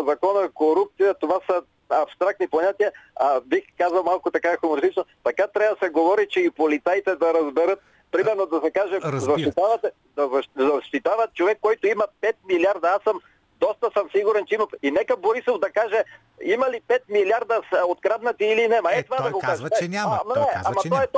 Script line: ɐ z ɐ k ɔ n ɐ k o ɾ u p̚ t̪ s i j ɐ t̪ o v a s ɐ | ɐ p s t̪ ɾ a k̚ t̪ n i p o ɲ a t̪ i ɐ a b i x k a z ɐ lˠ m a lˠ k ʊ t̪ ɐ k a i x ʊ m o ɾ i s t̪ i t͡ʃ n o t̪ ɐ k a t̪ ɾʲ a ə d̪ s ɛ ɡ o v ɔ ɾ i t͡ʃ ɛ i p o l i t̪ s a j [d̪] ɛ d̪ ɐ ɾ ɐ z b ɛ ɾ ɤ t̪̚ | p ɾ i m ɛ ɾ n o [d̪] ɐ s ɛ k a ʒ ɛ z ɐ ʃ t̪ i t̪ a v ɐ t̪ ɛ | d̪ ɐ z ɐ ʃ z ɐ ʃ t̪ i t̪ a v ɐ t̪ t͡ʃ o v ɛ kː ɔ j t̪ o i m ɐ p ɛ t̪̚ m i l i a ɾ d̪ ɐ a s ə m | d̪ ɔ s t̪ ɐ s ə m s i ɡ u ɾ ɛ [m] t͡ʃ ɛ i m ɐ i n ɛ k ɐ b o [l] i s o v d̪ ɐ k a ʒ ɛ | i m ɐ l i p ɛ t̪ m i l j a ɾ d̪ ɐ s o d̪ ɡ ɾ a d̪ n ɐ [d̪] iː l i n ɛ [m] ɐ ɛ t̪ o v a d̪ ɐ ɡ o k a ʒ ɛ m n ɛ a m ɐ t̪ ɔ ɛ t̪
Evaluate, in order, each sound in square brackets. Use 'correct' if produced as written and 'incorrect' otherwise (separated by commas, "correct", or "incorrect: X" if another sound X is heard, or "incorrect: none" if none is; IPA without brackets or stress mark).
incorrect: t̪, correct, incorrect: n, incorrect: ɾ, incorrect: t̪, correct